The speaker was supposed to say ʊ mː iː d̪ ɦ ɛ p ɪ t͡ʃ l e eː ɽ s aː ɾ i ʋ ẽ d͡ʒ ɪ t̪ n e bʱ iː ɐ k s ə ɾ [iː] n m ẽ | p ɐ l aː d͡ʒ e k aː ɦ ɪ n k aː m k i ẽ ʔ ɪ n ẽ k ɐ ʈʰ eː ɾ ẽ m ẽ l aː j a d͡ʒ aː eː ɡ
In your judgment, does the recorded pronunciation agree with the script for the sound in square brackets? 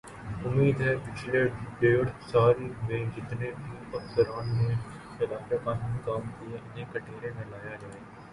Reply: no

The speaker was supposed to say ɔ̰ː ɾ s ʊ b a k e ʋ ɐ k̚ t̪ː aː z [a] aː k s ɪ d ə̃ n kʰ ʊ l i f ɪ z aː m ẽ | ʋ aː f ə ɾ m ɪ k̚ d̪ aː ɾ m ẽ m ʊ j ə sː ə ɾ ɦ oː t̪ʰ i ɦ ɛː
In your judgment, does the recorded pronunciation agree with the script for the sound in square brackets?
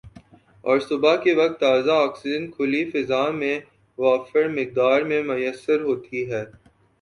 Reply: yes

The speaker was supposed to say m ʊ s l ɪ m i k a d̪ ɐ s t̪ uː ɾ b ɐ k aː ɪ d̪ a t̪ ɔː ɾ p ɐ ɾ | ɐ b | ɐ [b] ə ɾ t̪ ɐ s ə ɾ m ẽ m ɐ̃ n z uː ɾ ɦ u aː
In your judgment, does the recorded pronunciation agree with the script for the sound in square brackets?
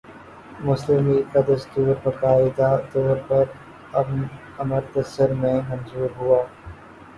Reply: no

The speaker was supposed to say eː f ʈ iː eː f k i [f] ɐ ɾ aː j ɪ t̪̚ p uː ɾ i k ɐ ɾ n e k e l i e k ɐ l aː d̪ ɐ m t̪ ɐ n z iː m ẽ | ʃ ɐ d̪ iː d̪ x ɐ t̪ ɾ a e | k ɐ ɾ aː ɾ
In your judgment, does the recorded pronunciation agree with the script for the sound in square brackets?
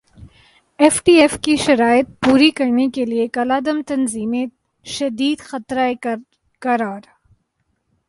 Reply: no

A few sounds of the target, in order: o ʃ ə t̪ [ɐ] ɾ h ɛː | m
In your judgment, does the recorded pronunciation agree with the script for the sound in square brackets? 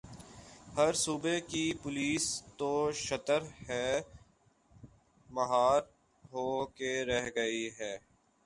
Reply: no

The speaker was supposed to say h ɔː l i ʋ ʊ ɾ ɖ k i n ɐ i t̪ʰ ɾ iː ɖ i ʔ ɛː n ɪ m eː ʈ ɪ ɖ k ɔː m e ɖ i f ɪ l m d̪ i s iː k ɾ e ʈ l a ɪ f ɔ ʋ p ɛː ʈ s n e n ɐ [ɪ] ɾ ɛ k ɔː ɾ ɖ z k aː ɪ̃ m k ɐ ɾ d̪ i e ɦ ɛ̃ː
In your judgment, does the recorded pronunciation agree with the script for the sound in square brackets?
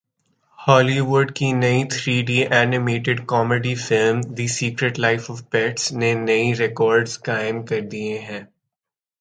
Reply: no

